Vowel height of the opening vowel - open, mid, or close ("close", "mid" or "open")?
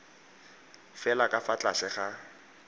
mid